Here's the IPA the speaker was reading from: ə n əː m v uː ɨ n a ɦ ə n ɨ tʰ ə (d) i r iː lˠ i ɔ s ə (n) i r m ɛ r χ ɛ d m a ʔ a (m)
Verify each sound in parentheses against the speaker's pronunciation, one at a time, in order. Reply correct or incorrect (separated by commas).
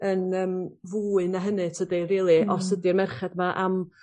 correct, incorrect, correct